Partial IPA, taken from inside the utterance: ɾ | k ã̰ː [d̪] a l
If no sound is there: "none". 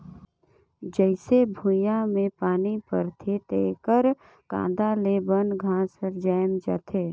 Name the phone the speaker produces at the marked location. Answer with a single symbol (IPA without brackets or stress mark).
d̪